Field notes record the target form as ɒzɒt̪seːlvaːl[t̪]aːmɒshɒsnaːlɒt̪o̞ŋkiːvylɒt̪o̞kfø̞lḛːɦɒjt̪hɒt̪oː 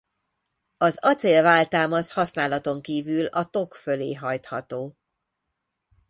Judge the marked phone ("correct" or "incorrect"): correct